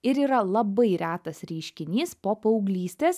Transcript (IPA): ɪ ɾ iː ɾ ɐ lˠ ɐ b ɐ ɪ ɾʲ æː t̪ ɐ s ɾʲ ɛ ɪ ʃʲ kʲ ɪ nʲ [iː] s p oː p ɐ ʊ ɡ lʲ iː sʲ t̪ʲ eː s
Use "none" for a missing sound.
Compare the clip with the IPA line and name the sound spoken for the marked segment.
iː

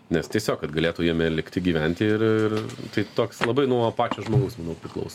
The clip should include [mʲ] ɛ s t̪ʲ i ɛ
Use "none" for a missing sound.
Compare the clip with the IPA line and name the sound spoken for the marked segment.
nʲ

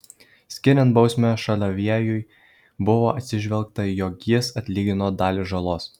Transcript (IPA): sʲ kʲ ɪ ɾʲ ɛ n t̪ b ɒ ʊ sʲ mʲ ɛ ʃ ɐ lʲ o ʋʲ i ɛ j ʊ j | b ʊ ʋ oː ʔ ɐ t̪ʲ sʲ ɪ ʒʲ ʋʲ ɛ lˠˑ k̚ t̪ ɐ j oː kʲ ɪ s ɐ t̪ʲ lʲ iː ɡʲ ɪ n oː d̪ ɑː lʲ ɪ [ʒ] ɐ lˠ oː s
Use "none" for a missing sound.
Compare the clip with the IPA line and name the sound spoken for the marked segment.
ʒ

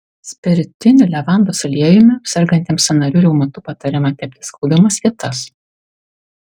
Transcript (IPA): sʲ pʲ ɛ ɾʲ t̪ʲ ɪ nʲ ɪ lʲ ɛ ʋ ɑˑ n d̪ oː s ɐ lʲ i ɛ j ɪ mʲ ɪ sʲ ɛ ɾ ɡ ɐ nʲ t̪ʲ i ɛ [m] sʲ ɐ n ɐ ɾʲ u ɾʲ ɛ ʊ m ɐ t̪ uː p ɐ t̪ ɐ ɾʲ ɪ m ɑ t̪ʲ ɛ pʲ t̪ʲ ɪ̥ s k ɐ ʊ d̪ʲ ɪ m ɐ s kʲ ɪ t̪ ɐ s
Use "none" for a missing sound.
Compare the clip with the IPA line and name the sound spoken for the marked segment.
m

